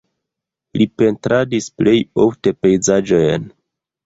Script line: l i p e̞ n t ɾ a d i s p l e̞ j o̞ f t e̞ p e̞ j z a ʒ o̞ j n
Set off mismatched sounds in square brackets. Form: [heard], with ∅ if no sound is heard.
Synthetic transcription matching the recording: l i p e̞ n t ɾ a d i s p l e̞ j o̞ f t e̞ p e̞ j z a [d͡ʒ] o̞ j n